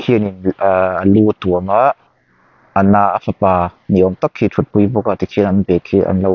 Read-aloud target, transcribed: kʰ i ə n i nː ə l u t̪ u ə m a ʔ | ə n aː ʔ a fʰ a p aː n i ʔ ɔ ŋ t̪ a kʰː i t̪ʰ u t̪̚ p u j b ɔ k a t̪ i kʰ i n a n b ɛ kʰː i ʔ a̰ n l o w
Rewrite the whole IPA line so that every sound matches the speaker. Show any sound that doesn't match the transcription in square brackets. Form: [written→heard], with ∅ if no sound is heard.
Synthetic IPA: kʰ i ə n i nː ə l u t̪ u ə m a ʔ | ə n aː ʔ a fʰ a p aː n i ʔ ɔ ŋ t̪ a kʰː i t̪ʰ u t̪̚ p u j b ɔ k a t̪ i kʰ i n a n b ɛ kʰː i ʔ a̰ n l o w